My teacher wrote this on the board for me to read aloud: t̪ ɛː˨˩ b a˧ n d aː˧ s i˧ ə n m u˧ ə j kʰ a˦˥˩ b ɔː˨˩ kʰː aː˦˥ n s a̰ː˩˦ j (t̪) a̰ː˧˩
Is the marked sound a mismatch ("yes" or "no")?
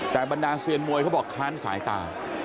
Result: no